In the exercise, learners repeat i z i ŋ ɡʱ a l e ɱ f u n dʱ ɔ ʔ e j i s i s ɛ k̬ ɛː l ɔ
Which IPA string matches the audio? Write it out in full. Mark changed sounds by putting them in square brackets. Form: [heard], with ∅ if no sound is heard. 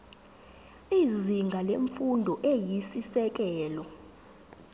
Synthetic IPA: i z i ŋ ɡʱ a l e ɱ f u n dʱ ɔ ʔ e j i s i s ɛ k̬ ɛː l ɔ